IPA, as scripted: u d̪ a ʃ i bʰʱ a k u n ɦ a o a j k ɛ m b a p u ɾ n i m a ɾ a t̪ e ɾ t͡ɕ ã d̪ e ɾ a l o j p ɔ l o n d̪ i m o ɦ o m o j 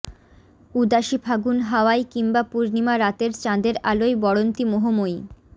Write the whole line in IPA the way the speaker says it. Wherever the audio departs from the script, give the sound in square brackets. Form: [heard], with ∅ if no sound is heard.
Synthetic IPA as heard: u d̪ a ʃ i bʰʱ a [ɡ] u n ɦ a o a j k [i] m b a p u ɾ n i m a ɾ a t̪ e ɾ t͡ɕ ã d̪ e ɾ a l o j [b] ɔ [ɽ] o n [t̪] i m o ɦ o m o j